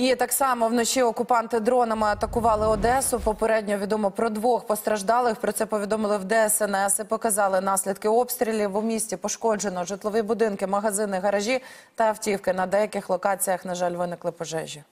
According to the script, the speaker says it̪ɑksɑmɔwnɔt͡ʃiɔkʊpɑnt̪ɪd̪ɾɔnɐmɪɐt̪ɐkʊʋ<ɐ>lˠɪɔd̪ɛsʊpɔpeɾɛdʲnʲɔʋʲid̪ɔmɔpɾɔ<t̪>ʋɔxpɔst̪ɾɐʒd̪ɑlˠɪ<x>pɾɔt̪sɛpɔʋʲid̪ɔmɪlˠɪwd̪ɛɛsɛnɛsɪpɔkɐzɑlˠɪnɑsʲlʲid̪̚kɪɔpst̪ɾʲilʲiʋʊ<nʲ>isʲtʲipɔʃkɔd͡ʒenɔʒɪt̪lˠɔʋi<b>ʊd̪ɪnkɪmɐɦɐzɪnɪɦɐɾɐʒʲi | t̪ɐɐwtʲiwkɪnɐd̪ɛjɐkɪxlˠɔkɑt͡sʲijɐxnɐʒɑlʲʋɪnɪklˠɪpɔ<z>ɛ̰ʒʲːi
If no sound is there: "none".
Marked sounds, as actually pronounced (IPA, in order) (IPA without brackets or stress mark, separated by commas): ɑ, d̪, x, mʲ, b, ʒ